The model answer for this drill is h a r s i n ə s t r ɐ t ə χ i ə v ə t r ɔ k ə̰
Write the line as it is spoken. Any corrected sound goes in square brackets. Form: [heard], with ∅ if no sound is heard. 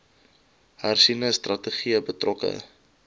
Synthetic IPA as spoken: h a r s i n ə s t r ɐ t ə χ i ə [b] ə t r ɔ k ə̰